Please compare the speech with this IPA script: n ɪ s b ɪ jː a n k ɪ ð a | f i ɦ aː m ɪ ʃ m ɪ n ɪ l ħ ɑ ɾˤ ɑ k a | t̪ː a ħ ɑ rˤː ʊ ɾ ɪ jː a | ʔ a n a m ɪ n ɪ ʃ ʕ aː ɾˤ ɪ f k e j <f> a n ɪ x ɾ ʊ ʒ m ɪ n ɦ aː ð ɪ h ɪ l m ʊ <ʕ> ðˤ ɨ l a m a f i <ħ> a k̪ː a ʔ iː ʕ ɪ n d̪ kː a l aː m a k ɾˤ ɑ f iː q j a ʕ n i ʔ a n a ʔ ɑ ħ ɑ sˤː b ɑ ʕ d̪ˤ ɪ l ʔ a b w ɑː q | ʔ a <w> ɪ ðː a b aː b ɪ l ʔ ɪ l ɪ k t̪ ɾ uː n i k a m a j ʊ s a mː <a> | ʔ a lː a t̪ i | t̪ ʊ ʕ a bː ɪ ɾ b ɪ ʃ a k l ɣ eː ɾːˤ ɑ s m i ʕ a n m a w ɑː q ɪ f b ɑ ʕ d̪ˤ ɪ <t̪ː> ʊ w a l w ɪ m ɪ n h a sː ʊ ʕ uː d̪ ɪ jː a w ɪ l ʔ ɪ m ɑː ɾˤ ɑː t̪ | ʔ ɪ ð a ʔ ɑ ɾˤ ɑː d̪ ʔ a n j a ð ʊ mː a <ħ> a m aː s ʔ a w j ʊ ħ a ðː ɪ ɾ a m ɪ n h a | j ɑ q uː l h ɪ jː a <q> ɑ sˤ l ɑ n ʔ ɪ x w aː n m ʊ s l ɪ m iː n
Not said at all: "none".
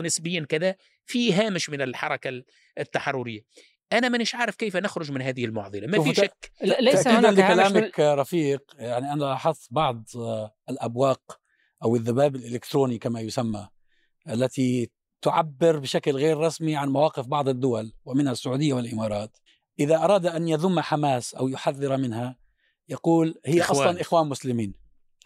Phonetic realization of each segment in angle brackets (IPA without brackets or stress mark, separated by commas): f, ʕ, ʃ, w, a, d̪ː, ħ, ʔ